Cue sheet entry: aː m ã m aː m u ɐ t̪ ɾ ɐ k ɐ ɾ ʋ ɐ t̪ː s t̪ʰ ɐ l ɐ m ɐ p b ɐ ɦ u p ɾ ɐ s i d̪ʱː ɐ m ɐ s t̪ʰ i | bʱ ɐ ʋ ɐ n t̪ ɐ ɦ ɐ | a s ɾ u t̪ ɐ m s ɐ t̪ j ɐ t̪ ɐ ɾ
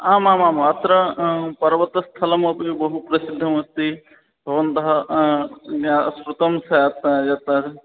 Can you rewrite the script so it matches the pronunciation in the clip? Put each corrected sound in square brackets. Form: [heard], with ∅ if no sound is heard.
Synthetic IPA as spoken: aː m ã m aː m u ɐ t̪ ɾ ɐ [p] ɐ ɾ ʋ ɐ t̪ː s t̪ʰ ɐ l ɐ m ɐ p b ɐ ɦ u p ɾ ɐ s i d̪ʱː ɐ m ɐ s [t̪] i | bʱ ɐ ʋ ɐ n t̪ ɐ ɦ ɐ | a s ɾ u t̪ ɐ m s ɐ t̪ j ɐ t̪ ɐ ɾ